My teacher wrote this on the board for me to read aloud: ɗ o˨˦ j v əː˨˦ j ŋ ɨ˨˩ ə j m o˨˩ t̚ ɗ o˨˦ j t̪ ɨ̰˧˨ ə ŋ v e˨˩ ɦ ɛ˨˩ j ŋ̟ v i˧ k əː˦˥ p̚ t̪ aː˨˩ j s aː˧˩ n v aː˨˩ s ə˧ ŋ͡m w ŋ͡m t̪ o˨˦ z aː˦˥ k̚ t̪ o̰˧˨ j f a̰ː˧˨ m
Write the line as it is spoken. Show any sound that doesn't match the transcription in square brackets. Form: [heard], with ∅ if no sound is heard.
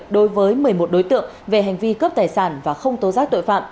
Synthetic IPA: ɗ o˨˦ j v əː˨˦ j [m] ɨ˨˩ ə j m o˨˩ t̚ ɗ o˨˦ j t̪ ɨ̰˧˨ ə ŋ v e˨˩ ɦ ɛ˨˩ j ŋ̟ v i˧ k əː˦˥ p̚ t̪ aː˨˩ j s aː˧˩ n v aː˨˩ [x] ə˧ [∅] w ŋ͡m t̪ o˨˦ z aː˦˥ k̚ t̪ o̰˧˨ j f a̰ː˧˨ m